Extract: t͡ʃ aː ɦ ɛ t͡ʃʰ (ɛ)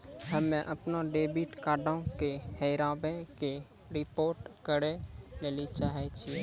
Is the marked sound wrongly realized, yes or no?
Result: yes